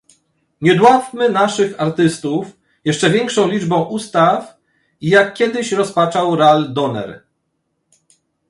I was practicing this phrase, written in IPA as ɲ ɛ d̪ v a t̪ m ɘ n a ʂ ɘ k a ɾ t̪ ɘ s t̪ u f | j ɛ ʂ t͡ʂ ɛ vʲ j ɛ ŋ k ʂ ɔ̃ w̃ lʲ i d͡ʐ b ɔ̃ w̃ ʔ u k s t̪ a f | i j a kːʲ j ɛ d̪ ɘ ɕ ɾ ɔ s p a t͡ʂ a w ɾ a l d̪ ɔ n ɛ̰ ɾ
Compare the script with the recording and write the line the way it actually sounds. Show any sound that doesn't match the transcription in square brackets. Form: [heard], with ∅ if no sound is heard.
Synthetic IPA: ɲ ɛ d̪ [w] a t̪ m ɘ n a ʂ ɘ [x] a ɾ t̪ ɘ s t̪ u f | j ɛ ʂ t͡ʂ ɛ vʲ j ɛ ŋ k ʂ ɔ̃ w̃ lʲ i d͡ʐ b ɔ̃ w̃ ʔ u [∅] s t̪ a f | i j a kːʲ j ɛ d̪ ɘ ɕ ɾ ɔ s p a t͡ʂ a w ɾ a l d̪ ɔ n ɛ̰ ɾ